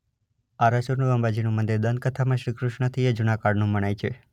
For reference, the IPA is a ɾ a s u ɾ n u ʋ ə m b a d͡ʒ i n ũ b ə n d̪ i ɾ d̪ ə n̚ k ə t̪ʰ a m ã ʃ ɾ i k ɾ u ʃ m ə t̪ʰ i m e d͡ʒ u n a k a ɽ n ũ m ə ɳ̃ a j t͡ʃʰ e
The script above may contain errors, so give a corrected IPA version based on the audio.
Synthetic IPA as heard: a ɾ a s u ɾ n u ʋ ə m b a d͡ʒ i n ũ m ə n d̪ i ɾ d̪ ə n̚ k ə t̪ʰ a m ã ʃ ɾ i k ɾ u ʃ ɳ ə t̪ʰ i e d͡ʒ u n a k a ɽ n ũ m ə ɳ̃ a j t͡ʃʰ e